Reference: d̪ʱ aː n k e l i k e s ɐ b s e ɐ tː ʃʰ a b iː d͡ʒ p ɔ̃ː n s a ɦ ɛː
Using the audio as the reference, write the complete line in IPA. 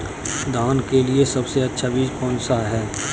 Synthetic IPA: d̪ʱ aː n k e l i e s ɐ b s e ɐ tː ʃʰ a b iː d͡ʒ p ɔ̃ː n s a ɦ ɛː